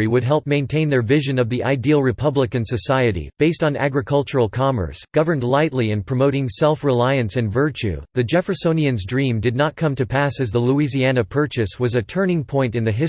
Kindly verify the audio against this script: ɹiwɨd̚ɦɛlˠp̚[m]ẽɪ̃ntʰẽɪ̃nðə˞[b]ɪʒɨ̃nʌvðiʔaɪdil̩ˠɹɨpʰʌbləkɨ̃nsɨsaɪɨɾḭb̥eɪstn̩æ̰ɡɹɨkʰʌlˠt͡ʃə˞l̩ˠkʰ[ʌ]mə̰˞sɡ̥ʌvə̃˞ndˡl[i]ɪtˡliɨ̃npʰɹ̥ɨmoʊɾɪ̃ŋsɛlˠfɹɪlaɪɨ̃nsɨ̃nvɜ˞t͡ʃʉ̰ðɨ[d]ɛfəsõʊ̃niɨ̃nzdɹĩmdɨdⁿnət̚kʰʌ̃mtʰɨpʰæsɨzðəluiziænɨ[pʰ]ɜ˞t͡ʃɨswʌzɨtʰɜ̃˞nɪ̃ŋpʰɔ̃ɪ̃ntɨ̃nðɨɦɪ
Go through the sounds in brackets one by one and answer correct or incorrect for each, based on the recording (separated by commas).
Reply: correct, incorrect, incorrect, incorrect, incorrect, correct